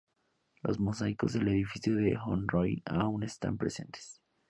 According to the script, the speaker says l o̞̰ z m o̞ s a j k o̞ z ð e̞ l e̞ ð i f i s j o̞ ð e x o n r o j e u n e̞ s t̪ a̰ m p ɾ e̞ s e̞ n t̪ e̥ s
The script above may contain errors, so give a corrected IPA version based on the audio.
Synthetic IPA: l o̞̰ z m o̞ s a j k o̞ z ð e̞ l e̞ ð i f i s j o̞ ð e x o n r o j a u n e̞ s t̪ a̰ m p ɾ e̞ s e̞ n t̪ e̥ s